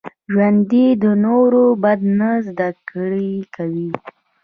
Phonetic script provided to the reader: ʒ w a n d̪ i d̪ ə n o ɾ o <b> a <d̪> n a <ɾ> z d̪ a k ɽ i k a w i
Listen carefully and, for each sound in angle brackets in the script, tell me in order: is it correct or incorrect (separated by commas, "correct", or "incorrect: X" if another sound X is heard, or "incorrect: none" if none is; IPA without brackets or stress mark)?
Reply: correct, correct, incorrect: none